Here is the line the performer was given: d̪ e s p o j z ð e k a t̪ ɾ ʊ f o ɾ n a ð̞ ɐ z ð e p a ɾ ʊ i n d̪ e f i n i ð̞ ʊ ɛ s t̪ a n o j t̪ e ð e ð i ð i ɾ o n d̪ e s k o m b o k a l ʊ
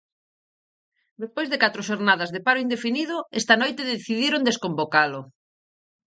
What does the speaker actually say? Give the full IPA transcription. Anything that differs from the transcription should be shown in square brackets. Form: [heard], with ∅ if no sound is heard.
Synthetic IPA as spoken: d̪ e s p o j z ð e k a t̪ ɾ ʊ [ʃ] o ɾ n a ð̞ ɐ z ð e p a ɾ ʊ i n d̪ e f i n i ð̞ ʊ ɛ s t̪ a n o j t̪ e ð e [θ] i ð i ɾ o n d̪ e s k o m b o k a l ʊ